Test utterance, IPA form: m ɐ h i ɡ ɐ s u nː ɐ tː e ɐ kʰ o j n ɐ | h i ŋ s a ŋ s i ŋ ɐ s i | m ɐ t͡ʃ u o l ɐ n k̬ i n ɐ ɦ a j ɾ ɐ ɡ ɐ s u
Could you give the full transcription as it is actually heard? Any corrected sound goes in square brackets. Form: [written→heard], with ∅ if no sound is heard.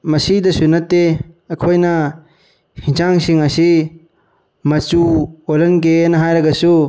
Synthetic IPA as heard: m ɐ [h→s] i [ɡ→d] ɐ s u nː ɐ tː e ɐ kʰ o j n ɐ | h i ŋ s a ŋ s i ŋ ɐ s i | m ɐ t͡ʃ u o l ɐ n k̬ [i→e] n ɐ ɦ a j ɾ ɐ ɡ ɐ s u

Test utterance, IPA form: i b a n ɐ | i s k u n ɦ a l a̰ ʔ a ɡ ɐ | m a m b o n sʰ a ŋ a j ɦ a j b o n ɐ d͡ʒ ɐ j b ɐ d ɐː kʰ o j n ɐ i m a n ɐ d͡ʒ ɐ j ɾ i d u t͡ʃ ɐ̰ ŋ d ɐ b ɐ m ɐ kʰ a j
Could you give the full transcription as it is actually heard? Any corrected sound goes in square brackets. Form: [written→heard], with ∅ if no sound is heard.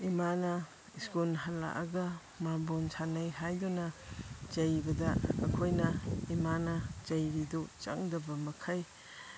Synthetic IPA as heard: i [b→m] a n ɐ | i s k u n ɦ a l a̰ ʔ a ɡ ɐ | m a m b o n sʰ a [ŋ→n] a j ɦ a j [b→d] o n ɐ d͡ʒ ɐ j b ɐ d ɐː kʰ o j n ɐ i m a n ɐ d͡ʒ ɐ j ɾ i d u t͡ʃ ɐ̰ ŋ d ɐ b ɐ m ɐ kʰ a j

